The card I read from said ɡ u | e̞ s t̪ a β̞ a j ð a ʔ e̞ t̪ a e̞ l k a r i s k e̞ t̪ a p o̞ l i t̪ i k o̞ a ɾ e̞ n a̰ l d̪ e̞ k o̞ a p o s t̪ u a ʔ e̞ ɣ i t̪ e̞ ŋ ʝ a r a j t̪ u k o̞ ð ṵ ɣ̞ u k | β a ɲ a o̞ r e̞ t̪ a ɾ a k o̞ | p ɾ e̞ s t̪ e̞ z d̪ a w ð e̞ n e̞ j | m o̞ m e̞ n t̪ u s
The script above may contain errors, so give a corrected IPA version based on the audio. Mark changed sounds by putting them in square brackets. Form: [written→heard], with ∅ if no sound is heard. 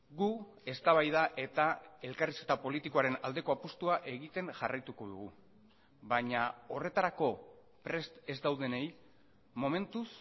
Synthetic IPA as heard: ɡ u | e̞ s t̪ a β̞ a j ð a ʔ e̞ t̪ a e̞ l k a r i s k e̞ t̪ a p o̞ l i t̪ i k o̞ a ɾ e̞ n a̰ l d̪ e̞ k o̞ a p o s t̪ u a ʔ e̞ ɣ i t̪ e̞ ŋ ʝ a r a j t̪ u k o̞ ð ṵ ɣ̞ u [k→∅] | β a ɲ a o̞ r e̞ t̪ a ɾ a k o̞ | p ɾ e̞ s t̪ e̞ z d̪ a w ð e̞ n e̞ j | m o̞ m e̞ n t̪ u s

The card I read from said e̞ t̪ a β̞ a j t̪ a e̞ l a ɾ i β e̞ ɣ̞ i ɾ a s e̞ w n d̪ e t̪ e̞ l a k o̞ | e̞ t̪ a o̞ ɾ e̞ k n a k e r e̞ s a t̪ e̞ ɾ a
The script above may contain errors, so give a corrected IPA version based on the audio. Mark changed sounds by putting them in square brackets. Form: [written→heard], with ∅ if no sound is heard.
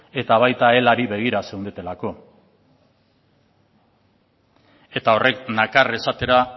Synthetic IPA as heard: e̞ t̪ a β̞ a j t̪ a e̞ l a ɾ i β e̞ ɣ̞ i ɾ a s e̞ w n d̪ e t̪ e̞ l a k o̞ | e̞ t̪ a o̞ [ɾ→r] e̞ k n a k [e→a] r e̞ s a t̪ e̞ ɾ a

